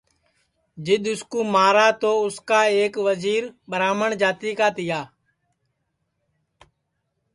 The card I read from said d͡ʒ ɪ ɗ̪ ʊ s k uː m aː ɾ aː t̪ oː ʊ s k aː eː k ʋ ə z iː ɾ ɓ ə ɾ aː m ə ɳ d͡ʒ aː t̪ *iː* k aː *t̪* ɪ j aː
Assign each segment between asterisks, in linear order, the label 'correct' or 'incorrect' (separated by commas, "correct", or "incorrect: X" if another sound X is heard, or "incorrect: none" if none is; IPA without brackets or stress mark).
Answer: correct, correct